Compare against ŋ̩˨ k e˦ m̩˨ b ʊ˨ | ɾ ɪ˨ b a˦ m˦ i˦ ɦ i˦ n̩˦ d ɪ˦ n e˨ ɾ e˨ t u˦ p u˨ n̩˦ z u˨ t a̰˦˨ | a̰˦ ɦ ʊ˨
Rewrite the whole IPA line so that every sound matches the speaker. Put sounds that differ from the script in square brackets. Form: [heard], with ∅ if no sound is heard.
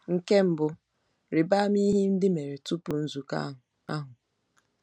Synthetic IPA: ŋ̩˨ k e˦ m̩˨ b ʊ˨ | ɾ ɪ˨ b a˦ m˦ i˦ ɦ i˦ n̩˦ d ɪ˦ [m] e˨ ɾ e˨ t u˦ p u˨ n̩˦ z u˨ [k] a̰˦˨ | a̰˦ ɦ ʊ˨